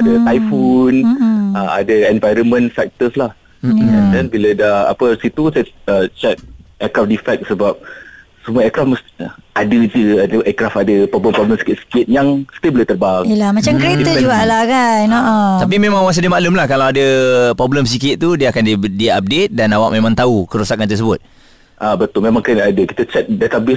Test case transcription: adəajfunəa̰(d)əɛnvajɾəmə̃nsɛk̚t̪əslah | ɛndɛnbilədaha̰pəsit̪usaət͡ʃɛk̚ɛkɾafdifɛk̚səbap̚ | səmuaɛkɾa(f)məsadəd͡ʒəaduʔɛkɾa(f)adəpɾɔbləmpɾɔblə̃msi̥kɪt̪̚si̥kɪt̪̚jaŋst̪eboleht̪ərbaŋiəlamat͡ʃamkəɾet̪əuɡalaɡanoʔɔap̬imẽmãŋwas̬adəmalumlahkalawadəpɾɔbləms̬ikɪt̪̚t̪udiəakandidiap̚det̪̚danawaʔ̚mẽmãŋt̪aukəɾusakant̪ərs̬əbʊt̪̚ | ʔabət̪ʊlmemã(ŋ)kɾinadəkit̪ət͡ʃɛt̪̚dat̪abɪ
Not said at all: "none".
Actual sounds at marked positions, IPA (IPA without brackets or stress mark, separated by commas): d, f, f, ŋ